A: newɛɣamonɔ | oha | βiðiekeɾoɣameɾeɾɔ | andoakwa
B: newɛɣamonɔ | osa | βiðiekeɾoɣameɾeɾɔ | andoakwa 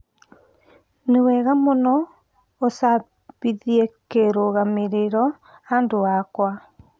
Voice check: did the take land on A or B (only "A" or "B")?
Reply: B